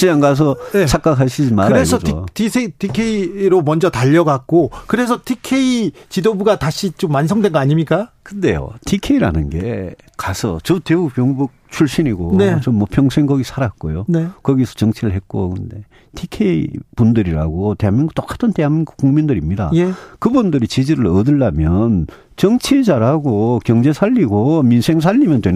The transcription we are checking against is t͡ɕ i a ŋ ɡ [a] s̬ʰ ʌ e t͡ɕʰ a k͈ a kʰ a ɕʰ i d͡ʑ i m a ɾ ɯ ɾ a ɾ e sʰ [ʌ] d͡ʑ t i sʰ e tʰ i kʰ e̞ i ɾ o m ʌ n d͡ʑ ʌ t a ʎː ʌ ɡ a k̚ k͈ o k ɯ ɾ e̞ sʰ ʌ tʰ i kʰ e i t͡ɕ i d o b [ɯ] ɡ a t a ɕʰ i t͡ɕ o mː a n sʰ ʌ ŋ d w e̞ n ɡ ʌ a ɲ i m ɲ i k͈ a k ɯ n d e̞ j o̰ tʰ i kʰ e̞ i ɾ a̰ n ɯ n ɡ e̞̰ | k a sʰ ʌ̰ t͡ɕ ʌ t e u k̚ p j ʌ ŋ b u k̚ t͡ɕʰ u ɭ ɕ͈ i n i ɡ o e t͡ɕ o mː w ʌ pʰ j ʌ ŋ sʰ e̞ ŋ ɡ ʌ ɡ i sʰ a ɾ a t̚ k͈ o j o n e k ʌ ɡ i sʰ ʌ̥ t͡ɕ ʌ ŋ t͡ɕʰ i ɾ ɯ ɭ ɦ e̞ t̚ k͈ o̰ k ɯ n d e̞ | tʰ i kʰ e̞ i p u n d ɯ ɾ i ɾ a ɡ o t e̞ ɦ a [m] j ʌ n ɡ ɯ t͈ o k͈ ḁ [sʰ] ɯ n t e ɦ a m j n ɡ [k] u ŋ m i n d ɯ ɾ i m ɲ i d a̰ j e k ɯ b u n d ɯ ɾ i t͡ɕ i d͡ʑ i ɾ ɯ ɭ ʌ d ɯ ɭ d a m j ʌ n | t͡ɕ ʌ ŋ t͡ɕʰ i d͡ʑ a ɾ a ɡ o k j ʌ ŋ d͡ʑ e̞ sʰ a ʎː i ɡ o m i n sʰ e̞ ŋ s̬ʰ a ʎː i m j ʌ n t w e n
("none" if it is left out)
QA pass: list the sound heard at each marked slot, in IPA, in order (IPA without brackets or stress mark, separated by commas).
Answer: a, ʌ, u, m, tʰ, k